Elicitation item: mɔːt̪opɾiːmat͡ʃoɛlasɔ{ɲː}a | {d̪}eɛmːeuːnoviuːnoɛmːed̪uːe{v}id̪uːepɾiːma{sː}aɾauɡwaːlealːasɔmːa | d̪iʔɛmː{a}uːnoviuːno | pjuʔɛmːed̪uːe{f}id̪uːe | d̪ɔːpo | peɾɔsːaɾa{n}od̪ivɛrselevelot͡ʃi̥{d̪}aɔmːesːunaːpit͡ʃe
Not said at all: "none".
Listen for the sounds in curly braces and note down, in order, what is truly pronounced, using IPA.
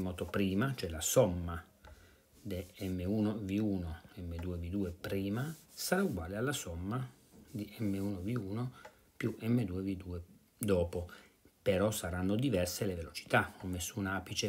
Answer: mː, d̪, v, s, e, v, nː, t̪

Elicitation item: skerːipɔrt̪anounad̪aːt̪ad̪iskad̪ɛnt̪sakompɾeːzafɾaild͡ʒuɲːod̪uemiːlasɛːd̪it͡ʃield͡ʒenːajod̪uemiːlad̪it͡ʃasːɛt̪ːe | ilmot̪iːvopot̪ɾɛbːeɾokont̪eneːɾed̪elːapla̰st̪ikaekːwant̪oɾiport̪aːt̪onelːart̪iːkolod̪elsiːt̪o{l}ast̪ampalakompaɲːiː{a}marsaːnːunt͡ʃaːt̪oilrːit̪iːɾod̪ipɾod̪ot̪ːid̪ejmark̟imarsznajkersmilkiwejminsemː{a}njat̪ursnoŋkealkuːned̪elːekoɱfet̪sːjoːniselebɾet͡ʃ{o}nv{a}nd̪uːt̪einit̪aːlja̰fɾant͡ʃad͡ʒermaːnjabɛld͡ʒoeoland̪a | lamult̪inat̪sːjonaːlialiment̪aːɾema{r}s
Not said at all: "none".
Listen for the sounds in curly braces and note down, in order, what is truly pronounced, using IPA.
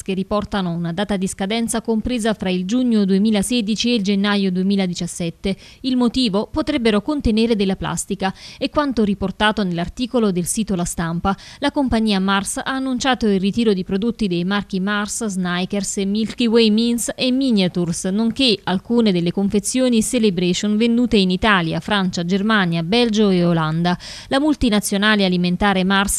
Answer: l, a, i, o, e, r

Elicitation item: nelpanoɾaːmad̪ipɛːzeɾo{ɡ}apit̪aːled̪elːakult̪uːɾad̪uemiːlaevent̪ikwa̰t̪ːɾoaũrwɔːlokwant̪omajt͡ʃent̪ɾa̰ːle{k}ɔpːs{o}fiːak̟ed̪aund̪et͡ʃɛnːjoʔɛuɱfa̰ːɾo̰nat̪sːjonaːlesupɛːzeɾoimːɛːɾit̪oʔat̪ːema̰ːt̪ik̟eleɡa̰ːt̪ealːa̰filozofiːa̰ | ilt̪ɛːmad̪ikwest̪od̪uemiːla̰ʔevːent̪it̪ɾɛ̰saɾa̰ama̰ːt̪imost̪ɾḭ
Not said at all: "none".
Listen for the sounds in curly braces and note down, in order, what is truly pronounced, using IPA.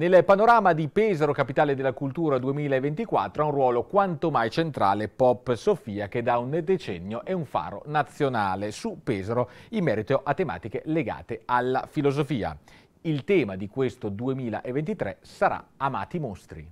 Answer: k, p, o

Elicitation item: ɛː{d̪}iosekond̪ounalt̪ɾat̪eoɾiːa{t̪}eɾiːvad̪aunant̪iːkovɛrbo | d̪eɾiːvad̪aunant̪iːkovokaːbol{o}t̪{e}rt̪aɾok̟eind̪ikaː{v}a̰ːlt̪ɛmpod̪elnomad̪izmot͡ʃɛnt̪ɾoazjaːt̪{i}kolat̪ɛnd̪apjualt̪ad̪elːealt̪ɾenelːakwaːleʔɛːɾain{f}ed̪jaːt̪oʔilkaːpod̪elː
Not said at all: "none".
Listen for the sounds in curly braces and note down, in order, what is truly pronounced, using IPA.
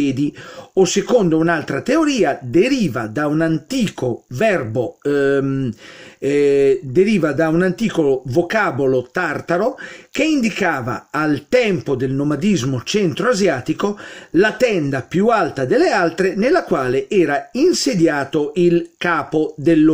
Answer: d̪, d̪, o, a, v, i, s

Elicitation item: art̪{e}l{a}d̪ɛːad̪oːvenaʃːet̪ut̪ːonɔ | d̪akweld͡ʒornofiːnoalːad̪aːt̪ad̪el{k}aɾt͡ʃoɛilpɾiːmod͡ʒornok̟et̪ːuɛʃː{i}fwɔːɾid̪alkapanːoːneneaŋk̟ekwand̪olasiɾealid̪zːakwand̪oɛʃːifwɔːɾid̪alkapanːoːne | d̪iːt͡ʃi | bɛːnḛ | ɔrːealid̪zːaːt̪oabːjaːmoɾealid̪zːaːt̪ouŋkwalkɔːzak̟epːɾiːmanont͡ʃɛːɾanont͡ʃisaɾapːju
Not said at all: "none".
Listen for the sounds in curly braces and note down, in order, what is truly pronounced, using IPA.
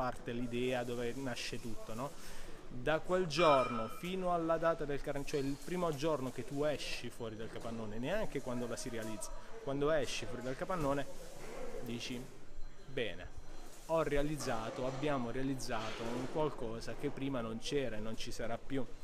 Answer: e, i, k, i

